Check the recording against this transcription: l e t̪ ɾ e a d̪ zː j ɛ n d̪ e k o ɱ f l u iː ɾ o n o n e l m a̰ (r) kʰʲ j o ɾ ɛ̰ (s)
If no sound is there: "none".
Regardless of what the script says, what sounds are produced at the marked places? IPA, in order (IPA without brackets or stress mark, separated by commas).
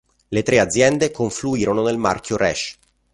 r, ʃ